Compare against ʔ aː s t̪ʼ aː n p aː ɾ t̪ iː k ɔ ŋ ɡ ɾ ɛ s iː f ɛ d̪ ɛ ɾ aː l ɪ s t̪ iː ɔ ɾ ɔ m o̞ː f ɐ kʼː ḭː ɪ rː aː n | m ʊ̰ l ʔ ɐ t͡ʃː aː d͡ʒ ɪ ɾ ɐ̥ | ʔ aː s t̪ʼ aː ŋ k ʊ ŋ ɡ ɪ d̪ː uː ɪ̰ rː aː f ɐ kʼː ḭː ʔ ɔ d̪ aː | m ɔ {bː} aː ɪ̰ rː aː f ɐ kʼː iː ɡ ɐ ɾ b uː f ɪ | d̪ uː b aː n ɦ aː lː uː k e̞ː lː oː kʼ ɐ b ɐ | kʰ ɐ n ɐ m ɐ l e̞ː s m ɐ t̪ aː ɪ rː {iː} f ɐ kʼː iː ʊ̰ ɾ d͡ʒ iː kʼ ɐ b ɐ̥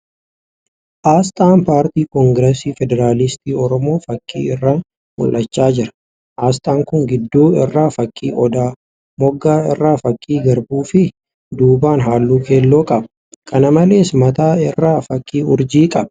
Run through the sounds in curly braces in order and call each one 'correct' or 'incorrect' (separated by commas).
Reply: incorrect, incorrect